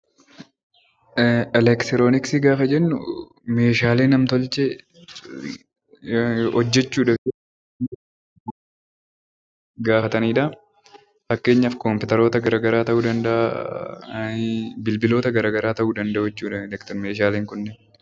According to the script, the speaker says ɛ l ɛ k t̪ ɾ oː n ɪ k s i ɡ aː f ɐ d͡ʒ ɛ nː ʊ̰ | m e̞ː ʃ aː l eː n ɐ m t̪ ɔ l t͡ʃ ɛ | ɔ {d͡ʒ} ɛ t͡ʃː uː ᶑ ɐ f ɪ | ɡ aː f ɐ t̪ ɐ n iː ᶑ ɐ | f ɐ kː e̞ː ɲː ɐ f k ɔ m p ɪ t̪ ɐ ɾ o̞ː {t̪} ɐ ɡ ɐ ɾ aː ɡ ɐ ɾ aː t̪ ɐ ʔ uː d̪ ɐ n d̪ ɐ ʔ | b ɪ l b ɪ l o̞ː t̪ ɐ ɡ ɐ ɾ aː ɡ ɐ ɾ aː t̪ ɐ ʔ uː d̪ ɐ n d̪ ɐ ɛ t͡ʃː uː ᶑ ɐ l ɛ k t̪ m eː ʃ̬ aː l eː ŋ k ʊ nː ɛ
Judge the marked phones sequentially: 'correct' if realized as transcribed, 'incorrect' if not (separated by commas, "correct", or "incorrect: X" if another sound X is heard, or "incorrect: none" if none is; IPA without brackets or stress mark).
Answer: incorrect: d͡ʒː, correct